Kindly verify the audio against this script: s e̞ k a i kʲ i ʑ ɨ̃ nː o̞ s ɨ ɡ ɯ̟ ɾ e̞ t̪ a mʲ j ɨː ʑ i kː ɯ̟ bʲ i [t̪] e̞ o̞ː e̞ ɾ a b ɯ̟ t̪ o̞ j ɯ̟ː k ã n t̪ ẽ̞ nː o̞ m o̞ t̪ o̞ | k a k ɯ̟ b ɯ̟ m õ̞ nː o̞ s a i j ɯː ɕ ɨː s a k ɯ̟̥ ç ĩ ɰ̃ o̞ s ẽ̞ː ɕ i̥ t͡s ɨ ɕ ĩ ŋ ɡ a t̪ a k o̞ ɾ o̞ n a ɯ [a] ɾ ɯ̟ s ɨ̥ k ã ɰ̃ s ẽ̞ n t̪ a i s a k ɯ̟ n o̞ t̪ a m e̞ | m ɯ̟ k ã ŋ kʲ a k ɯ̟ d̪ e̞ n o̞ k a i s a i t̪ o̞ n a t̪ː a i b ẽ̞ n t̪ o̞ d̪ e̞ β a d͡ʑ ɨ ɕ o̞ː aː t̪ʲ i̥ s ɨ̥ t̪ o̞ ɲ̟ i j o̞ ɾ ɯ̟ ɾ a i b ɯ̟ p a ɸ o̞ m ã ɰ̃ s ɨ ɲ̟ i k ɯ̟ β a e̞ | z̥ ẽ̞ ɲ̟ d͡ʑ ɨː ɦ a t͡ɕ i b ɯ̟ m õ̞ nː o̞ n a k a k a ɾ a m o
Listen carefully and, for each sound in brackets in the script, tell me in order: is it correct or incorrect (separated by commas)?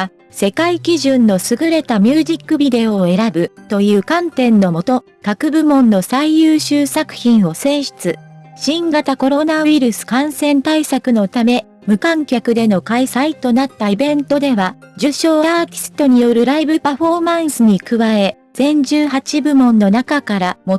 incorrect, incorrect